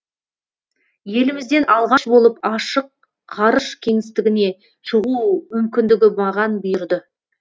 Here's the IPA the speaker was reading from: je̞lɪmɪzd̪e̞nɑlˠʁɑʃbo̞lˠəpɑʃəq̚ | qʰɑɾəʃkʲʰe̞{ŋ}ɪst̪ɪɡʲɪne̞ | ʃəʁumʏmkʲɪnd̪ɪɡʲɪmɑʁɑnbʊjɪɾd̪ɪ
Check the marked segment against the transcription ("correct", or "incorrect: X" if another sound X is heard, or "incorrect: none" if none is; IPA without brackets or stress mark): correct